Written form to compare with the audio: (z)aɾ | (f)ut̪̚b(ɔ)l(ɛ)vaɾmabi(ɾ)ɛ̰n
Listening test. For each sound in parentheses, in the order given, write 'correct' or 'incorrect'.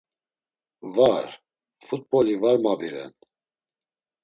incorrect, correct, correct, incorrect, correct

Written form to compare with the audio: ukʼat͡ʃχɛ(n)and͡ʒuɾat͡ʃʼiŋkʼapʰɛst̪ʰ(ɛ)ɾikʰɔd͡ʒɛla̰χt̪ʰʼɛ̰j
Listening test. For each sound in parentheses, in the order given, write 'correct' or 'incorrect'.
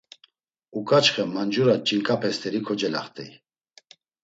incorrect, correct

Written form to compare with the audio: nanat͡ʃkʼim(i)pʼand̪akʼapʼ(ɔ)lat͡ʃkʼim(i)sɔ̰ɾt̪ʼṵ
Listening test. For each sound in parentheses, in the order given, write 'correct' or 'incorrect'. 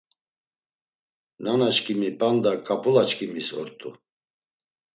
correct, incorrect, correct

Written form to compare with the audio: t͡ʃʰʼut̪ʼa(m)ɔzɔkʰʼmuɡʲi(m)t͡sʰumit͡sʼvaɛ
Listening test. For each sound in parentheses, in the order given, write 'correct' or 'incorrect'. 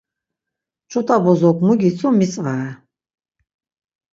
incorrect, incorrect

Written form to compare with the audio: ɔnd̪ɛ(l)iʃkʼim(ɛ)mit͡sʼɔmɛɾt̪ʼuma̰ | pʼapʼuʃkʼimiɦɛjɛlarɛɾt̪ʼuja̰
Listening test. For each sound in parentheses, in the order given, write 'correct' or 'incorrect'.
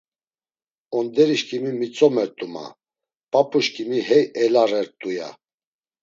incorrect, incorrect

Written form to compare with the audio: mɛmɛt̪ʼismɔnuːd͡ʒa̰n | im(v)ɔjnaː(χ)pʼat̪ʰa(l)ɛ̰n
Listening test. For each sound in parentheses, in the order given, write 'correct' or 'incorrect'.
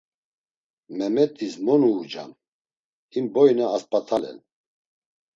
incorrect, incorrect, correct

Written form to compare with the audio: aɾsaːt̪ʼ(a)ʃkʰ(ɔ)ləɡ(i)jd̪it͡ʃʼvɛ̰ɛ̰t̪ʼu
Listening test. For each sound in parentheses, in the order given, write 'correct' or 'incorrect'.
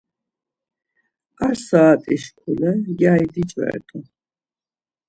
incorrect, incorrect, incorrect

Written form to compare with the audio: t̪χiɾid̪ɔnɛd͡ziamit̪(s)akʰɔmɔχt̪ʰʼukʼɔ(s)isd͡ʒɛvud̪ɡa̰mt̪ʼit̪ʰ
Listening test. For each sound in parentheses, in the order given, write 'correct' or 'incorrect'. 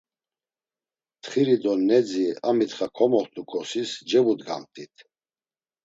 incorrect, correct

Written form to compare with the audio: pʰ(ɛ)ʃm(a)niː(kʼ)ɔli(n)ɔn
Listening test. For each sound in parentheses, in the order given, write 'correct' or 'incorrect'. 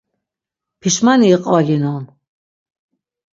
incorrect, correct, incorrect, correct

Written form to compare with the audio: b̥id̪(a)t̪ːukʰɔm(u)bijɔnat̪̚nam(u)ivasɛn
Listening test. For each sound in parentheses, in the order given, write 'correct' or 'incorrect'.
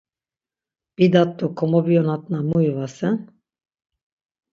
correct, incorrect, correct

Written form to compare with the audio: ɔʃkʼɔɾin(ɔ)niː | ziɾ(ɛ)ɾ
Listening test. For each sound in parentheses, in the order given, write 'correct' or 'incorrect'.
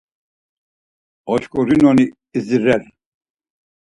correct, correct

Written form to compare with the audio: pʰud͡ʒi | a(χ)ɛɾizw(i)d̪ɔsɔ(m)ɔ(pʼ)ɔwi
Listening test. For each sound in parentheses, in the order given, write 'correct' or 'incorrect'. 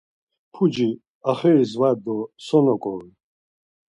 correct, incorrect, incorrect, incorrect

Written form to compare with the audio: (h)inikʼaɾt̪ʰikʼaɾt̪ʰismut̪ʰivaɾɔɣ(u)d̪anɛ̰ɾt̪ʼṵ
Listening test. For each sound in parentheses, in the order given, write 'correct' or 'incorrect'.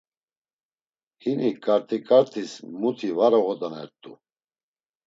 correct, incorrect

